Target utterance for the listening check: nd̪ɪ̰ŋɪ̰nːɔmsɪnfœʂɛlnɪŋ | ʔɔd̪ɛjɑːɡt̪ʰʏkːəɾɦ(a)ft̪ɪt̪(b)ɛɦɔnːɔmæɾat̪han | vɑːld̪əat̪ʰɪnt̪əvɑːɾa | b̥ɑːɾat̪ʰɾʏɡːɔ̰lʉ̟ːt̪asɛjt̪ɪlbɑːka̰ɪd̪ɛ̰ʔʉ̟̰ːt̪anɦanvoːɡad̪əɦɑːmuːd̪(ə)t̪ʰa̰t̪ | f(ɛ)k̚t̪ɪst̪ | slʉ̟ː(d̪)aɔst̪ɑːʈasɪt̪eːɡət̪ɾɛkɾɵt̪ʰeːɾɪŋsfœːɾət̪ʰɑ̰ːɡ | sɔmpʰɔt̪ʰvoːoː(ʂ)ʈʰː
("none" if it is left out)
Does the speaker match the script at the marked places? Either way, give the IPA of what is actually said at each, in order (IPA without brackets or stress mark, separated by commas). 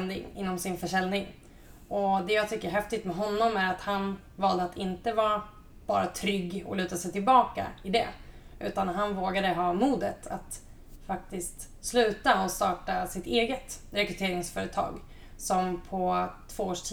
ɛ, m, ə, a, t̪, ʂ